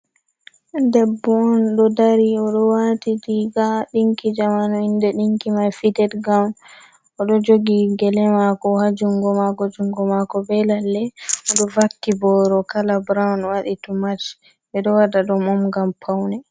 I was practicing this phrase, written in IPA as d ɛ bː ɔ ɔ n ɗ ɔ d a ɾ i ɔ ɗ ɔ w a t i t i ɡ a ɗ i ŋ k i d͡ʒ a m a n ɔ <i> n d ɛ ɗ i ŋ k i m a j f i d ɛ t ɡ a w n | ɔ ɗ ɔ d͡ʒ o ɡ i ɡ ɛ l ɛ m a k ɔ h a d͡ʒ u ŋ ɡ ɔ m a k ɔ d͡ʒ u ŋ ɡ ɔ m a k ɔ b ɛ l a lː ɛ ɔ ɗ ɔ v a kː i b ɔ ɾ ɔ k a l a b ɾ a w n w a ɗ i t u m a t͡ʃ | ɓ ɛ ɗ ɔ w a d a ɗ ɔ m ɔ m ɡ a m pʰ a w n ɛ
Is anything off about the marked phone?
no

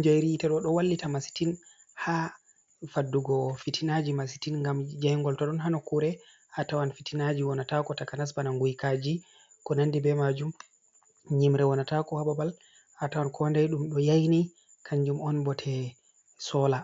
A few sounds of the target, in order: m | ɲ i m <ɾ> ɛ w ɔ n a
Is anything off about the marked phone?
no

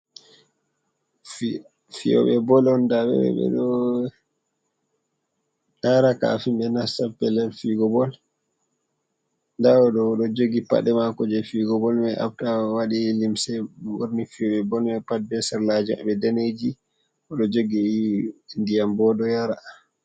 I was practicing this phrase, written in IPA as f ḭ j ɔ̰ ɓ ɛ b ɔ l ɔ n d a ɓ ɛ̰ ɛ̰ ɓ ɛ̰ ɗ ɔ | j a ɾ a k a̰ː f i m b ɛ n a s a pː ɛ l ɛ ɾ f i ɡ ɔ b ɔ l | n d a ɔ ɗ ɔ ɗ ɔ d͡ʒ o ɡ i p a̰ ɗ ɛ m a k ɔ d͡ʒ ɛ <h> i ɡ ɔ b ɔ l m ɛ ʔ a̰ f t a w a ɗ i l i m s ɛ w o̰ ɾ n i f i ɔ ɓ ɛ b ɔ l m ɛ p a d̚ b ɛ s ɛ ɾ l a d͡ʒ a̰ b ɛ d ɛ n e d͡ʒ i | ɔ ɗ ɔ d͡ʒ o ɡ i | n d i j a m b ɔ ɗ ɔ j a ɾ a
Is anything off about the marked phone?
yes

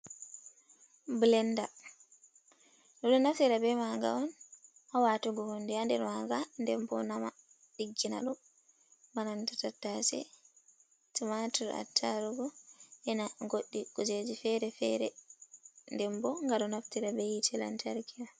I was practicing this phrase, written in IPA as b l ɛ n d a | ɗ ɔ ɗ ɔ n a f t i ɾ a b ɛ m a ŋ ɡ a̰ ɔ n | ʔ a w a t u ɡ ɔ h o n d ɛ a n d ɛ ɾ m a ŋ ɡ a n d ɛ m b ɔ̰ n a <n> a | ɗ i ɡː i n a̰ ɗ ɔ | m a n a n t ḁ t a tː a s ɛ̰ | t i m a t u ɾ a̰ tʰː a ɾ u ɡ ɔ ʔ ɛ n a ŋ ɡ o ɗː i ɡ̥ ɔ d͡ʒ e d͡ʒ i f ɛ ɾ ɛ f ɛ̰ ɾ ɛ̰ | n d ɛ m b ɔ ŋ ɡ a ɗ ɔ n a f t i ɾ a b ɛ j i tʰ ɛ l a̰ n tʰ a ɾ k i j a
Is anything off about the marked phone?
yes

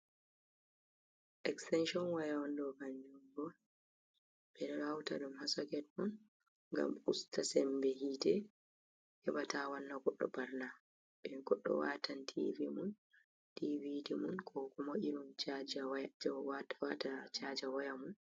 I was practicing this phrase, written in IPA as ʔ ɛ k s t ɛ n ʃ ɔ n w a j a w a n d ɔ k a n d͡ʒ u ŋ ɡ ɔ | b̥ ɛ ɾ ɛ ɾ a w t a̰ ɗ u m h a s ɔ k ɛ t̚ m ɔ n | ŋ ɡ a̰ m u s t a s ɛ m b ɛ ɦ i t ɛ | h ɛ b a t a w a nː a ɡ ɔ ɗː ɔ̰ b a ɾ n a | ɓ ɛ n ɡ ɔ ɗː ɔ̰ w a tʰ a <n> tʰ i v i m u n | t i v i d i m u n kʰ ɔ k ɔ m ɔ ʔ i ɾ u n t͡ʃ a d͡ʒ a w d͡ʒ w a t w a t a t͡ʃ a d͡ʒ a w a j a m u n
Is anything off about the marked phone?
no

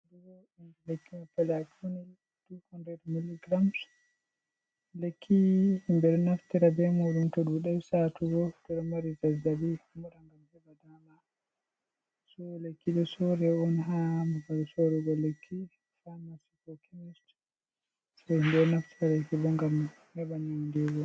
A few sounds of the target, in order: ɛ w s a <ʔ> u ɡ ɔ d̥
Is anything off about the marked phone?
yes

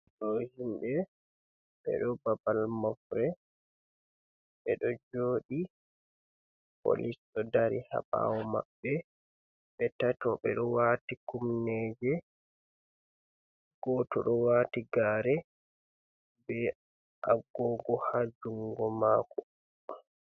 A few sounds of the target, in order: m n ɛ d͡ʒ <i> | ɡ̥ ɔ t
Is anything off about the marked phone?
yes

